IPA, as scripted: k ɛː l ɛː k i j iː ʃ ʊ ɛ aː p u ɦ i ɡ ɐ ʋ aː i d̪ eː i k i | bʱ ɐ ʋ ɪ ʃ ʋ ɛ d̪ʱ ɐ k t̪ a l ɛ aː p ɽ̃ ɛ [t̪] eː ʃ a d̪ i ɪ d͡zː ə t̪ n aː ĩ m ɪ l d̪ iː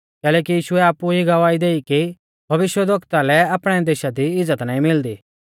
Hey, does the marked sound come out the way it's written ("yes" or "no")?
no